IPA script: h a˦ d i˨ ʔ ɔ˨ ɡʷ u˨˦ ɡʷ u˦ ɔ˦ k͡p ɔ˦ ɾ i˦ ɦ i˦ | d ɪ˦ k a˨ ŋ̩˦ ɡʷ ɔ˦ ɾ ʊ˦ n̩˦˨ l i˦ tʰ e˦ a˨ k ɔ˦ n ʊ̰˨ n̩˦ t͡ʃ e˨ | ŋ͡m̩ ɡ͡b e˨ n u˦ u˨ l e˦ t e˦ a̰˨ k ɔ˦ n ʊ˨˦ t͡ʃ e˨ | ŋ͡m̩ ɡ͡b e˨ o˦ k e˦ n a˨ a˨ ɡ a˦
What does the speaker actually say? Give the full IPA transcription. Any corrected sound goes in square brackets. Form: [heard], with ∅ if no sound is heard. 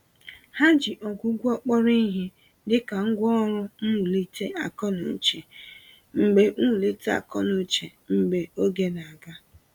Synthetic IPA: h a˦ [d͡ʒ] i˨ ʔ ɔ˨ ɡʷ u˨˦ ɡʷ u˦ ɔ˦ k͡p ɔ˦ ɾ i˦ ɦ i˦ | d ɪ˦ k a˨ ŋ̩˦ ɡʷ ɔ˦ ɾ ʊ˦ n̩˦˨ l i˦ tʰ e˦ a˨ k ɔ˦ n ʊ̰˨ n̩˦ t͡ʃ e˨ | ŋ͡m̩ ɡ͡b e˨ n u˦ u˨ l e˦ t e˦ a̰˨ k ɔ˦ n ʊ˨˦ t͡ʃ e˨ | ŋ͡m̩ ɡ͡b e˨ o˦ [ɡ] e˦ n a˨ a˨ ɡ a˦